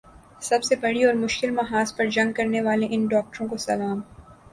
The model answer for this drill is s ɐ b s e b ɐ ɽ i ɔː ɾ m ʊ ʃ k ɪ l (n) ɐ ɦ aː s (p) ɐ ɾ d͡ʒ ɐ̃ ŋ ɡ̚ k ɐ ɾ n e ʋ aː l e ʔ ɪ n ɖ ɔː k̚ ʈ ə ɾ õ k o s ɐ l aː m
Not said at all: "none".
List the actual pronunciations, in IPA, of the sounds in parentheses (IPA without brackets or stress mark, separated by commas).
m, p